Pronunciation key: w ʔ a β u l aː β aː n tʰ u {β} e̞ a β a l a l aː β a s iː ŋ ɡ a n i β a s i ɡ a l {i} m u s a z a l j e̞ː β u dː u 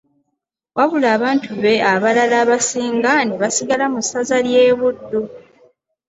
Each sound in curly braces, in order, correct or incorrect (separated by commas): correct, incorrect